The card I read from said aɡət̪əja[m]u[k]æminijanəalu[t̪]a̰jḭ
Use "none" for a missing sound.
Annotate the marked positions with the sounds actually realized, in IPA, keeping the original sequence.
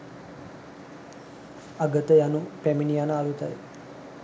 n, p, t̪

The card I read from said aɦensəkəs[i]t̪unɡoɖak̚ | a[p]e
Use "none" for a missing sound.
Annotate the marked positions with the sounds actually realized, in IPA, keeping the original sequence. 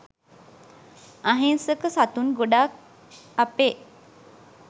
a, p

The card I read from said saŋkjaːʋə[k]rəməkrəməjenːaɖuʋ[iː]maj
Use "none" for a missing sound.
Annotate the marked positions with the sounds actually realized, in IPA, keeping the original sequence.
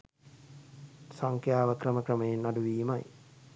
k, iː

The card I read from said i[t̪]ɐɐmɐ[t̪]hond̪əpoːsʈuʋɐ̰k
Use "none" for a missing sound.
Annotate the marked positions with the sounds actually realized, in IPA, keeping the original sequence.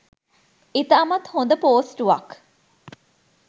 t̪, t̪

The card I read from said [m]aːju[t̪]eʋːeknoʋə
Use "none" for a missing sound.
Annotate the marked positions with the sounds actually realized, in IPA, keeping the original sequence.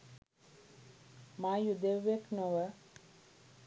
m, d̪

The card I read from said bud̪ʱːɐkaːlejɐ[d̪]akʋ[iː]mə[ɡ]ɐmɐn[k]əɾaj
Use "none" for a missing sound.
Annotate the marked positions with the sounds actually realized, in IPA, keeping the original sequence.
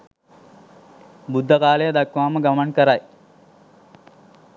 d̪, aː, ɡ, k

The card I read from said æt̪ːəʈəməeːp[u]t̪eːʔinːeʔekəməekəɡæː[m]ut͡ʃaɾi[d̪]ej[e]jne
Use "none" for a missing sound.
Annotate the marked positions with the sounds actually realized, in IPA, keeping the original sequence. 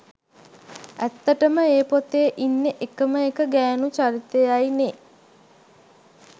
o, n, t̪, a

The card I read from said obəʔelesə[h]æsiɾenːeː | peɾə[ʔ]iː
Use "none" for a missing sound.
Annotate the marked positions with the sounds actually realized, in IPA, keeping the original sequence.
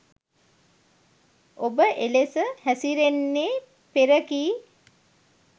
h, k

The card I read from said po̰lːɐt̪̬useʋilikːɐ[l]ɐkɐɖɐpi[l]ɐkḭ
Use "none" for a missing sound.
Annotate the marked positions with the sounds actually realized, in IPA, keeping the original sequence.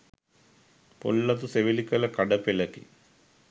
l, l

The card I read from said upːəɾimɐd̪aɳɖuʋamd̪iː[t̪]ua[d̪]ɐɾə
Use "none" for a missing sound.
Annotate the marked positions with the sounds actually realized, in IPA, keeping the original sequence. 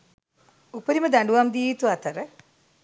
t̪, t̪

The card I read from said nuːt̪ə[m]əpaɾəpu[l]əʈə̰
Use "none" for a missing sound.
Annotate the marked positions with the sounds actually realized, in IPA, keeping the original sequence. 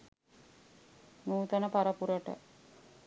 n, ɾ

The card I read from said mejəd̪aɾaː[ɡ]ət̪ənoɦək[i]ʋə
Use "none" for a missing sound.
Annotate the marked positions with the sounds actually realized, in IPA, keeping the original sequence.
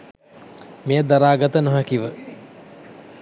ɡ, i

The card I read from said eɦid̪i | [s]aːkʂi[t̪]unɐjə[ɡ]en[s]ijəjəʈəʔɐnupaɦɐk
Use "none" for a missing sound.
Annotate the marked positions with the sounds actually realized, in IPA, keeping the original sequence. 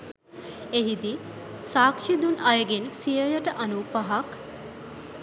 s, d̪, ɡ, s

